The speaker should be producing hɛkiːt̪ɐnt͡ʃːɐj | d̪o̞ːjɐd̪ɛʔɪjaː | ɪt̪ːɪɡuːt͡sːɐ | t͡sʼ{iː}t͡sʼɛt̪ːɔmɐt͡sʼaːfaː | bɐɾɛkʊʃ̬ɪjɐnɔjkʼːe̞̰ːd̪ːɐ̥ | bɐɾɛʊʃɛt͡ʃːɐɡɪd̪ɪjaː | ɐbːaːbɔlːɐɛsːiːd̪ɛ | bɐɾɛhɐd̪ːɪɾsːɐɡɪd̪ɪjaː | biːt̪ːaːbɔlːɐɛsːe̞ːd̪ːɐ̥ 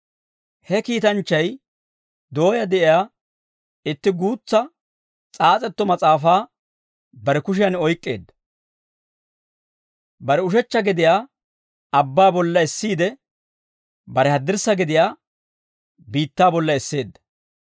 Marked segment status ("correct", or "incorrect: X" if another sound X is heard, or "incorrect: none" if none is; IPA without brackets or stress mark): incorrect: aː